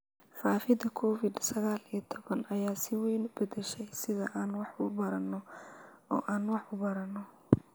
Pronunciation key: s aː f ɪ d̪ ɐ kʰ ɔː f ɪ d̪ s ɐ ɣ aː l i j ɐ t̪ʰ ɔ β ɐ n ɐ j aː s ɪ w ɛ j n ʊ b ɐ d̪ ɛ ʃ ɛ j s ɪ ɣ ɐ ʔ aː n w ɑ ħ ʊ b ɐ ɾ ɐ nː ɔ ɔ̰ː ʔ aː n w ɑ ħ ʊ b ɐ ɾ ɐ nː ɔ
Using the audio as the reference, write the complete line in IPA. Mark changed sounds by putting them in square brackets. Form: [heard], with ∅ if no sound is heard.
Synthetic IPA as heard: [f] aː f ɪ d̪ ɐ kʰ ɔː f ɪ d̪ s ɐ ɣ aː l i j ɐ t̪ʰ ɔ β ɐ n ɐ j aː s ɪ w ɛ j n ʊ b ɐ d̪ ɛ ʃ ɛ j s ɪ [ð] ɐ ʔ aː n w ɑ ħ ʊ b ɐ ɾ ɐ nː ɔ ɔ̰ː ʔ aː n w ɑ ħ ʊ b ɐ ɾ ɐ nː ɔ